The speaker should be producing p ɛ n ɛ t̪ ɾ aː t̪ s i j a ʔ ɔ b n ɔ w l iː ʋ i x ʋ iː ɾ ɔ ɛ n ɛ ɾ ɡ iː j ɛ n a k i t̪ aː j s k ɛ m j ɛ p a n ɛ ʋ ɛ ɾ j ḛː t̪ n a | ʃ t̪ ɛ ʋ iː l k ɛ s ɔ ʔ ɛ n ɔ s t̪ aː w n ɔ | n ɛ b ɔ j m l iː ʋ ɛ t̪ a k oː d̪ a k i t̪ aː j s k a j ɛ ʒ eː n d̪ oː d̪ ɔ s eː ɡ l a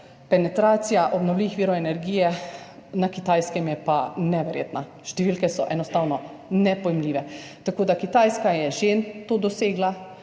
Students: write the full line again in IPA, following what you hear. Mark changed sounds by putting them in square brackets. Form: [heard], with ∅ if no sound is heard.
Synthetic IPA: p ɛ n ɛ t̪ ɾ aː t̪ s i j a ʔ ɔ b n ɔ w l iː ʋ i x ʋ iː ɾ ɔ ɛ n ɛ ɾ ɡ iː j ɛ n a k i t̪ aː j s k ɛ m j ɛ p a n ɛ ʋ ɛ ɾ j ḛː t̪ n a | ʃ t̪ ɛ ʋ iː l k ɛ s ɔ ʔ ɛ n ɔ s t̪ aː w n ɔ | n ɛ [p] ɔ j m l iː ʋ ɛ t̪ a k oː d̪ a k i t̪ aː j s k a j ɛ ʒ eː n [t̪] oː d̪ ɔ s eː ɡ l a